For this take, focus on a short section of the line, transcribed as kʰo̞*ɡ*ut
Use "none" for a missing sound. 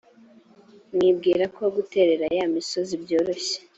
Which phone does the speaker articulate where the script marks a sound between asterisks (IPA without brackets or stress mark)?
ɡ